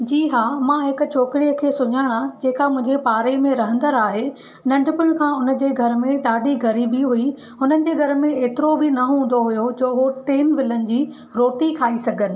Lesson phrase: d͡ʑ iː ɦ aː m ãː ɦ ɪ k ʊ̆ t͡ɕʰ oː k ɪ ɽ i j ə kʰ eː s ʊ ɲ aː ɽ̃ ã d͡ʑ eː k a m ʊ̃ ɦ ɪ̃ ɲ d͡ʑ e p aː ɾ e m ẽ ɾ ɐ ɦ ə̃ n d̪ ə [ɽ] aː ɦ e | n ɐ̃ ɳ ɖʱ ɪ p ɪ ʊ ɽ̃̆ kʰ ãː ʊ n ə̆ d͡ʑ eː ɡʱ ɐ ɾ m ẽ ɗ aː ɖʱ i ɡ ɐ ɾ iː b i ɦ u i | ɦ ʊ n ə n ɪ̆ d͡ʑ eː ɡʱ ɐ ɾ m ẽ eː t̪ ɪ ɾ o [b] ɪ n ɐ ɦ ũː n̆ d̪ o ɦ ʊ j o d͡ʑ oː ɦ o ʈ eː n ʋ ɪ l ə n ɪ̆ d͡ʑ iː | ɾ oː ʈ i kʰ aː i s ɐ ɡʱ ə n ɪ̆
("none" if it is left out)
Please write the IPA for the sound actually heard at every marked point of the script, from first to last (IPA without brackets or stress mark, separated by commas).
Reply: ɾ, b